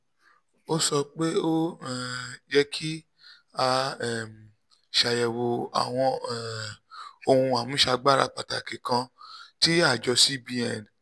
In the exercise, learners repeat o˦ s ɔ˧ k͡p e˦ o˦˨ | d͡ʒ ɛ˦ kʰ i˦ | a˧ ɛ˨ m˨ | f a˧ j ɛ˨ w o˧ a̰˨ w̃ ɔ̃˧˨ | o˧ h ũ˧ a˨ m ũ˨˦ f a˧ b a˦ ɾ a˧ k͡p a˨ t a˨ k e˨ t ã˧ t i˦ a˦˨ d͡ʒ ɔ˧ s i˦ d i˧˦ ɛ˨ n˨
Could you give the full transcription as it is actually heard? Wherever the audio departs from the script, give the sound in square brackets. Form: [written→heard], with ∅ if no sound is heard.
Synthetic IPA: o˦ s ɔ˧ k͡p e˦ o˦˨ | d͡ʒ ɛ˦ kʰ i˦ | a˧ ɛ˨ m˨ | [f→ʃ] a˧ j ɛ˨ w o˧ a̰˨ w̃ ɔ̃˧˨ | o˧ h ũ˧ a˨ m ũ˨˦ [f→ʃ] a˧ [b→ɡ͡b] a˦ ɾ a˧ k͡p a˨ t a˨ k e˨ [t→k] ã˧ t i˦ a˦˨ d͡ʒ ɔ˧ s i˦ [d→b] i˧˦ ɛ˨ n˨